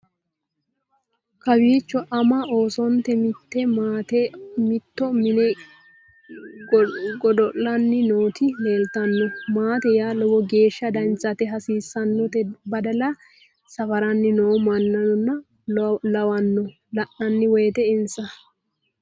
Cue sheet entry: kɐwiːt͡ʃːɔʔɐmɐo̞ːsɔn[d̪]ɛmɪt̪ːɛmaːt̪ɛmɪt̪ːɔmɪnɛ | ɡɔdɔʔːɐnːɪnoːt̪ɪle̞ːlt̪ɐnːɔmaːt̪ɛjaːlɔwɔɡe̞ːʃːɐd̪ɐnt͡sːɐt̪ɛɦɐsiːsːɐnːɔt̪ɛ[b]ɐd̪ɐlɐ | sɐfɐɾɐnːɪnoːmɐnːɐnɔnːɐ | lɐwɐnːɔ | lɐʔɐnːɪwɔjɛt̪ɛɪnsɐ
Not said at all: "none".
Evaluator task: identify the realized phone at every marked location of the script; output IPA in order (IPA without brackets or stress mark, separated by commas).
t̪, b